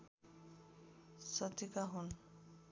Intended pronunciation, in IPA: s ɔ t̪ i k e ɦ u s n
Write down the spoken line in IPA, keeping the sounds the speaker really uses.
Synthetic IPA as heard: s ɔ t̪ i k a ɦ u n